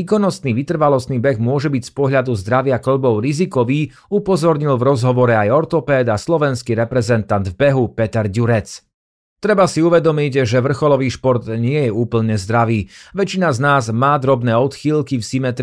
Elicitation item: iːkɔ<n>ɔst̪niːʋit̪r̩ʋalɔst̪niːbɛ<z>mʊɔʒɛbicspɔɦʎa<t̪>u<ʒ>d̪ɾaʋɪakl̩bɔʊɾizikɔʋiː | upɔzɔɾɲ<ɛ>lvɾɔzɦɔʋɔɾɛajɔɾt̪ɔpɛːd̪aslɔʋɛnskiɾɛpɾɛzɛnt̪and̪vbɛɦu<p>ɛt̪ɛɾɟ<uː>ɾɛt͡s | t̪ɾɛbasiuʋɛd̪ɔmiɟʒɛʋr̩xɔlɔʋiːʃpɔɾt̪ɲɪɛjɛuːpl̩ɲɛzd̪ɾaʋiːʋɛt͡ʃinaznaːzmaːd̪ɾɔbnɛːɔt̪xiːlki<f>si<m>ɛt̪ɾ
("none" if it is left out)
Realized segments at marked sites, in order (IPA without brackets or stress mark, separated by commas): n, ɣ, d̪, z, i, p, u, f, m